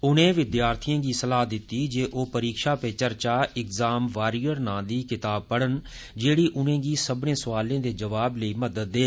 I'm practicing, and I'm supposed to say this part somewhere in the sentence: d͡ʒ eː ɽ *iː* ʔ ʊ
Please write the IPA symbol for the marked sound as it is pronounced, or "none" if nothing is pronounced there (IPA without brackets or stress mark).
iː